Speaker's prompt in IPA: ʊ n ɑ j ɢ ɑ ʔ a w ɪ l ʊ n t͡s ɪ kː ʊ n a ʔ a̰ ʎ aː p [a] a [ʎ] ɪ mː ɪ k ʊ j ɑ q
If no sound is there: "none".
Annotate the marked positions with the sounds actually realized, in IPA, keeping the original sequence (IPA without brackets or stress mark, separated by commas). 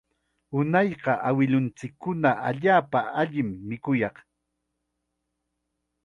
a, ʎ